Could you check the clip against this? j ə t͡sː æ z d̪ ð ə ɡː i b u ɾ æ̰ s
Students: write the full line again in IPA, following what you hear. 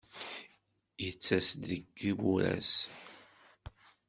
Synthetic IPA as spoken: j ə t͡sː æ s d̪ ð ə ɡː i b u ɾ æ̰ s